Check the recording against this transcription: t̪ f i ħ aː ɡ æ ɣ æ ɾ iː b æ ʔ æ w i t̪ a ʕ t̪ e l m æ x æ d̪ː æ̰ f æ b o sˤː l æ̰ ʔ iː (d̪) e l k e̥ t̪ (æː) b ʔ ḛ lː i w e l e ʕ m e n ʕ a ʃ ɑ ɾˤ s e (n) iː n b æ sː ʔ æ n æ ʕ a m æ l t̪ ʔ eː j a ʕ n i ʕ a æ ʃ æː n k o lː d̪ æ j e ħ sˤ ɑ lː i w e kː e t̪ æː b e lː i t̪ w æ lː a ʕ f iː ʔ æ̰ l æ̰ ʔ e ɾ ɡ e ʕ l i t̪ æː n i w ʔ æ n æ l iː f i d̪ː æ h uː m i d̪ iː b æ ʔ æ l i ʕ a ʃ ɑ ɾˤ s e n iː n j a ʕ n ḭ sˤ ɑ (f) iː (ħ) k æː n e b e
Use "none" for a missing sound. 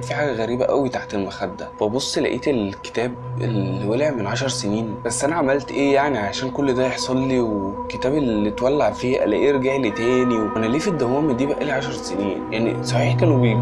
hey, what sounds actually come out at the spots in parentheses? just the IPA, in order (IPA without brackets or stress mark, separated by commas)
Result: t̪, æː, n, ħ, ħ